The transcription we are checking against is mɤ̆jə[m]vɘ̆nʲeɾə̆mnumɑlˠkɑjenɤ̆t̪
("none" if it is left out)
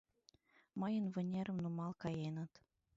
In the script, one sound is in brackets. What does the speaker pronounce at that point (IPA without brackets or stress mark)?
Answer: n